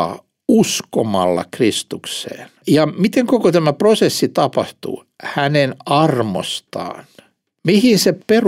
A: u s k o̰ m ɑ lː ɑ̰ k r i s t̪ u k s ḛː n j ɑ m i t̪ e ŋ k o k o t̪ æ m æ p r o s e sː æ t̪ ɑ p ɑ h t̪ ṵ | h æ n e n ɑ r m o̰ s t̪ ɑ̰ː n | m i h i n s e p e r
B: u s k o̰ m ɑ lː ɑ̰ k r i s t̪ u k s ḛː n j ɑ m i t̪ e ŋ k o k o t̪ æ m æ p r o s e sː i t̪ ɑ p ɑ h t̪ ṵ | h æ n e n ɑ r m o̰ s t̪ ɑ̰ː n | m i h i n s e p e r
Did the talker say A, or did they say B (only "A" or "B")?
B